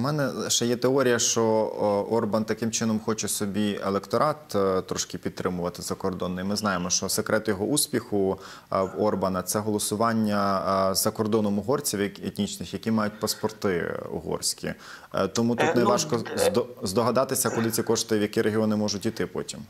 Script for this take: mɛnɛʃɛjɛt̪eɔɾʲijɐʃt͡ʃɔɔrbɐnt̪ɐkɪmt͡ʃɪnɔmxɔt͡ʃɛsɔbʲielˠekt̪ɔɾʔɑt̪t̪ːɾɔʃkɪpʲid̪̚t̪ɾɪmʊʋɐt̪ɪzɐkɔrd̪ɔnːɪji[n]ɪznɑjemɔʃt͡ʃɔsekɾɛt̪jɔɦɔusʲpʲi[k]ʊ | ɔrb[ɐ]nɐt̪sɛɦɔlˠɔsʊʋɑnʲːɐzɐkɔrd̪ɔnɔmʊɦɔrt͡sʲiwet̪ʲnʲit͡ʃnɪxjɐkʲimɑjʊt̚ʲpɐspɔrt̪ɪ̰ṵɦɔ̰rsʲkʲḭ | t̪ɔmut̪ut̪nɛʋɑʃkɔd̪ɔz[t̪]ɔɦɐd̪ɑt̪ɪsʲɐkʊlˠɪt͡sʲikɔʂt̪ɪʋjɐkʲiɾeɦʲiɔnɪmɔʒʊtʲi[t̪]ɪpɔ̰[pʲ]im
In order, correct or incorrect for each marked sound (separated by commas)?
incorrect, incorrect, correct, incorrect, correct, incorrect